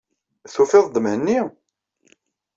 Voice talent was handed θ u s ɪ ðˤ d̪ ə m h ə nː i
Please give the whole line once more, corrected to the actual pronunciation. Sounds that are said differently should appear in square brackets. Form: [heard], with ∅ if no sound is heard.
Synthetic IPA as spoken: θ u [f] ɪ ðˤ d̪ ə m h ə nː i